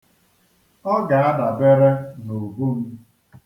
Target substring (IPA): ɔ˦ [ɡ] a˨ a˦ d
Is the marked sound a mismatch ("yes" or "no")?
no